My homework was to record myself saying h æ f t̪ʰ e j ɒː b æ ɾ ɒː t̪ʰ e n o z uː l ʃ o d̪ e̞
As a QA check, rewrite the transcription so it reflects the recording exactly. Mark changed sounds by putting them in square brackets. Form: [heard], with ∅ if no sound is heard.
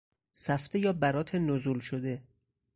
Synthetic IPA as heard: [s] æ f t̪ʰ e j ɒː b æ ɾ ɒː t̪ʰ e n o z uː l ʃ o d̪ e̞